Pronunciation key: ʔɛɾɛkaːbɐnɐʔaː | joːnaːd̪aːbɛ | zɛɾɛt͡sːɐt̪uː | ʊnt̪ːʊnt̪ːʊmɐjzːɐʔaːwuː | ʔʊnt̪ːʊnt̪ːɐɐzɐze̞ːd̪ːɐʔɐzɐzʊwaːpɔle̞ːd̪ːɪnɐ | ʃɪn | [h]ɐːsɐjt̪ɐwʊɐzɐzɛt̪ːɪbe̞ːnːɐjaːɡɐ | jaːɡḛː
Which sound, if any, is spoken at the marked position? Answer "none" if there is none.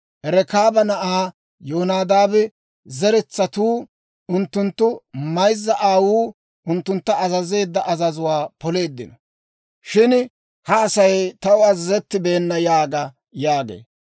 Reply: h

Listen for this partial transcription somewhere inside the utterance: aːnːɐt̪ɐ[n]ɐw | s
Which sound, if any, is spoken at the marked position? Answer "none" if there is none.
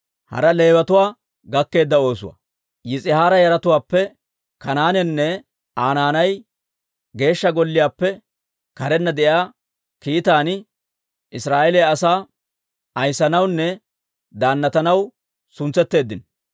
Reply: n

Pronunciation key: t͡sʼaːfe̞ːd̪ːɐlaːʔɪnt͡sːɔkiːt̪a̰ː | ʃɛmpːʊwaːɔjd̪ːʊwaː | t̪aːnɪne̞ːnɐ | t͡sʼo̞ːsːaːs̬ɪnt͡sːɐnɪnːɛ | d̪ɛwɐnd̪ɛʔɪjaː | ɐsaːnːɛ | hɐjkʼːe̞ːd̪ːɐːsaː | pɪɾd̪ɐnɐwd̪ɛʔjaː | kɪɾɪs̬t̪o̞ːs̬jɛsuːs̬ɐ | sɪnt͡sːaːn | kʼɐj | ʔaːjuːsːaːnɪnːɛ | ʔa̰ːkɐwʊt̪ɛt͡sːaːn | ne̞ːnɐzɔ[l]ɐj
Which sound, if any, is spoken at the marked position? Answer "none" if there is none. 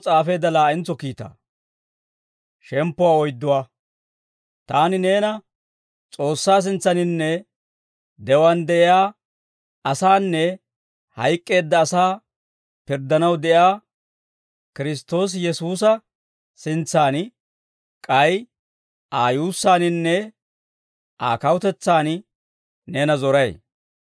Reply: ɾ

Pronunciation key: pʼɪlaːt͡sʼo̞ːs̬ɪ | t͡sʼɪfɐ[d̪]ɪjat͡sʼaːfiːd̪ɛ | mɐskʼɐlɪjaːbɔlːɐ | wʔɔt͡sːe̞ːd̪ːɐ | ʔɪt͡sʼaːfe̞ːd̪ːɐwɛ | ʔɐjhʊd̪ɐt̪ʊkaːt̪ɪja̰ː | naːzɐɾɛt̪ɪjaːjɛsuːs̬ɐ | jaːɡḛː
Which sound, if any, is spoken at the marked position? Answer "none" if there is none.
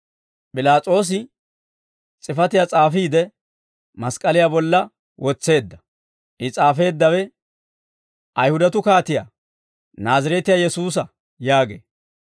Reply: t̪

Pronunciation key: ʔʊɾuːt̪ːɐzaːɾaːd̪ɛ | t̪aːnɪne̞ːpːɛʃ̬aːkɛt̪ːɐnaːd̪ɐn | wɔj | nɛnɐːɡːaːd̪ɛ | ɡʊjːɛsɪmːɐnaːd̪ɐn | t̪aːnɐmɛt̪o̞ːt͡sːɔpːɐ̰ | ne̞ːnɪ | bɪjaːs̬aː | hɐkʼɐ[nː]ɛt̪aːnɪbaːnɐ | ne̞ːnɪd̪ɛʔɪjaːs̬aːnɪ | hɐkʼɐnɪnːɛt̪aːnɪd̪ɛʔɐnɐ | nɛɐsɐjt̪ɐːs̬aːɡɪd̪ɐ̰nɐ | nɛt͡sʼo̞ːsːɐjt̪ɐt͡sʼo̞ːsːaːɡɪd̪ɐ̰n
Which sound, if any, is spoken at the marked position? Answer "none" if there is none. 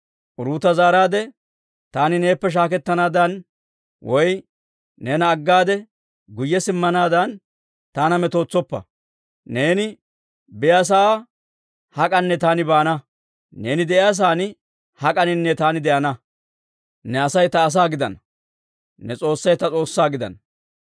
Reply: nː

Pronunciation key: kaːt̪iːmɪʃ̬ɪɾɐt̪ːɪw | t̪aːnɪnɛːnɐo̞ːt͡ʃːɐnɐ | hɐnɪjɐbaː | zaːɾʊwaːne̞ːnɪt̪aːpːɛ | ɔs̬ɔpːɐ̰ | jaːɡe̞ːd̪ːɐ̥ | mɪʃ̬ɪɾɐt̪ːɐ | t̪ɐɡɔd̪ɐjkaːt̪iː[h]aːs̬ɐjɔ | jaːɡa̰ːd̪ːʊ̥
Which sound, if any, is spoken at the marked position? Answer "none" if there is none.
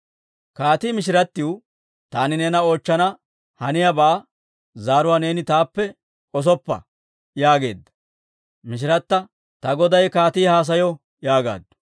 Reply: h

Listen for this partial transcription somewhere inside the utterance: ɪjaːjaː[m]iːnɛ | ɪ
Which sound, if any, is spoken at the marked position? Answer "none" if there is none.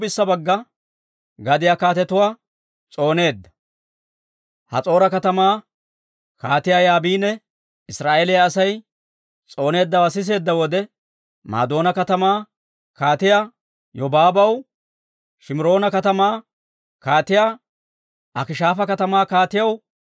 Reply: b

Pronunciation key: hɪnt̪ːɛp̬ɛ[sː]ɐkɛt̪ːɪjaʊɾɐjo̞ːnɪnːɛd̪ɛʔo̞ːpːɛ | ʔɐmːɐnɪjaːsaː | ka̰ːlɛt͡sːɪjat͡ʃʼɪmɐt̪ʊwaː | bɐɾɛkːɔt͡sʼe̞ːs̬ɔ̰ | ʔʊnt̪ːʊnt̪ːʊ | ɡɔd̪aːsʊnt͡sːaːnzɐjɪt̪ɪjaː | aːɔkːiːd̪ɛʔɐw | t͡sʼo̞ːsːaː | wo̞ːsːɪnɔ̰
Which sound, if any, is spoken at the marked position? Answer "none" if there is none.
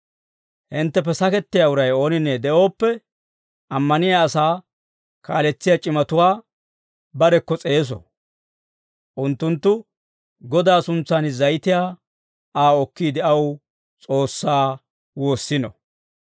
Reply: s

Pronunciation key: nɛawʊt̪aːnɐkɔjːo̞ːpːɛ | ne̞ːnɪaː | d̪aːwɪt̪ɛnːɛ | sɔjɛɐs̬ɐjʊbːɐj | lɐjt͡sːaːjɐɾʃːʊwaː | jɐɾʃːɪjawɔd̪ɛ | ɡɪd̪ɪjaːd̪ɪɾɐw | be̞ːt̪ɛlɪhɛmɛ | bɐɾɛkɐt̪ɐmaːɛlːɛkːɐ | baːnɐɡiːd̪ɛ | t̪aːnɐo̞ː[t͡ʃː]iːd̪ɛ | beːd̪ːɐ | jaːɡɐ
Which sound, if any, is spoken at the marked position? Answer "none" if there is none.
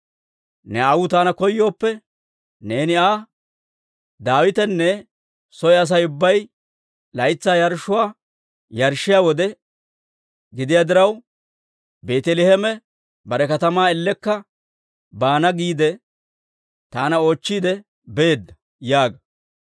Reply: t͡ʃː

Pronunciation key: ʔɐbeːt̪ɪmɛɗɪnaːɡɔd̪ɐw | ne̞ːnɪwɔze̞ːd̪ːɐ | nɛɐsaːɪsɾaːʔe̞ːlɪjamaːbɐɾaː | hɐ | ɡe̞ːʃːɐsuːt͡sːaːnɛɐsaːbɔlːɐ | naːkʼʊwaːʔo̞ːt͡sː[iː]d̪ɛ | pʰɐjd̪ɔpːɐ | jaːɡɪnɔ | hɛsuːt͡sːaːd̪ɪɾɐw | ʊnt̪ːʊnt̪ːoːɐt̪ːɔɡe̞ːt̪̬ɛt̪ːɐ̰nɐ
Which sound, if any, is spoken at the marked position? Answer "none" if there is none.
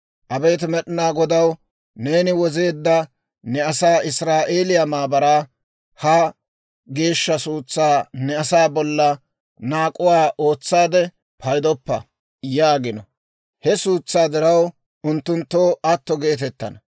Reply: aː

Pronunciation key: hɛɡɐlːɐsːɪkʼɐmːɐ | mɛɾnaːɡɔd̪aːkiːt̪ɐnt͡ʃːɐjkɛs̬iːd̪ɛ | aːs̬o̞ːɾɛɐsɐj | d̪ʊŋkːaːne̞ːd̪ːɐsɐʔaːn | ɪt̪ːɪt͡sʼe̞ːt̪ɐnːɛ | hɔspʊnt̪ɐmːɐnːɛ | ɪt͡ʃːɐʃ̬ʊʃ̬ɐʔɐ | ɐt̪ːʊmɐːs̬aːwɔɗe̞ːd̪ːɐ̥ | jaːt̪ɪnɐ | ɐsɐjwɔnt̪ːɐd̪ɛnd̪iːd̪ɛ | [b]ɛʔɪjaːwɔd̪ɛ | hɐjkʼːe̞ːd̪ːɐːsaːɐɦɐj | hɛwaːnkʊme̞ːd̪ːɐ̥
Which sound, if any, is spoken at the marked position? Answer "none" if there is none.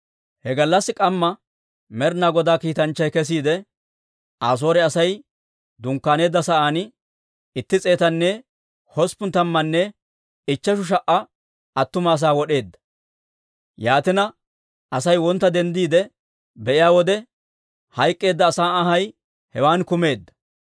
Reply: b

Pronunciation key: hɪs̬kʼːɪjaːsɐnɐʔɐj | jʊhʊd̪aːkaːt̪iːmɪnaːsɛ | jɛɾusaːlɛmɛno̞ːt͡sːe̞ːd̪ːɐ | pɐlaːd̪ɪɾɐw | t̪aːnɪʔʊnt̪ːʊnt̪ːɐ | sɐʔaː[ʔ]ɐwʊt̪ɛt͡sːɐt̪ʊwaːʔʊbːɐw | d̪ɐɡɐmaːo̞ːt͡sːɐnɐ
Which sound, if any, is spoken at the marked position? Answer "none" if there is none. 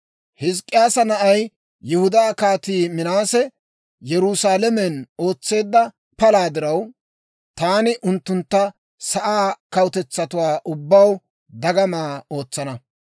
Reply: k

